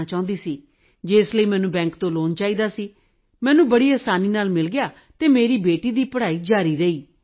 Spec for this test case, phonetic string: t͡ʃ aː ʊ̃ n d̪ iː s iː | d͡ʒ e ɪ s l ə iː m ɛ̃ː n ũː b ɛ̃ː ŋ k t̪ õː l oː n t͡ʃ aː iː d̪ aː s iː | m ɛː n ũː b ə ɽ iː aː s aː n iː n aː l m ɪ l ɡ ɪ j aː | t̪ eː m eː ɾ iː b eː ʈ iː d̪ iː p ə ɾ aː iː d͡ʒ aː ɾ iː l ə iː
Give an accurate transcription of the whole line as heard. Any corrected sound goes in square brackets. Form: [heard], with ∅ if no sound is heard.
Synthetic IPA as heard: t͡ʃ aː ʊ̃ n d̪ iː s iː | d͡ʒ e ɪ s l ə iː m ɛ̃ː n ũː b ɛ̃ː ŋ k t̪ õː l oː n t͡ʃ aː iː d̪ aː s iː | m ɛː n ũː b ə ɽ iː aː s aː n iː n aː l m ɪ l ɡ ɪ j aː | t̪ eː m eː ɾ iː b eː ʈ iː d̪ iː p ə [ɽ] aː iː d͡ʒ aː ɾ iː [ɾ] ə iː

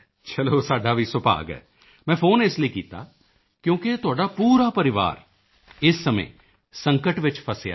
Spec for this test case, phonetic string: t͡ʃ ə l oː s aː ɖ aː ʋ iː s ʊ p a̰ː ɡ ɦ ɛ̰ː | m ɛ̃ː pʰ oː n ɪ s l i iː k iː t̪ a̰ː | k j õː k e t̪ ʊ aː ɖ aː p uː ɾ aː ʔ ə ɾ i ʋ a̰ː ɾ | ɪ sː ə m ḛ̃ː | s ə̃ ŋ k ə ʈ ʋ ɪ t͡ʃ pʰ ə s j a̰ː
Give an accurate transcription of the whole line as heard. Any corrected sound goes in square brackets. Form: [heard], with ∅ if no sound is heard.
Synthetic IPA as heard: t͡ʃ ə l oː s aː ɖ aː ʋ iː s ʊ p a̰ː ɡ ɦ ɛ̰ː | m ɛ̃ː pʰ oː n ɪ s l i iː k iː t̪ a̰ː | k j õː k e t̪ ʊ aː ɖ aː p uː ɾ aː [p] ə ɾ [ɪ] ʋ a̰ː ɾ | ɪ sː ə m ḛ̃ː | s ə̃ ŋ k ə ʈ ʋ ɪ t͡ʃ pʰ ə s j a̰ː

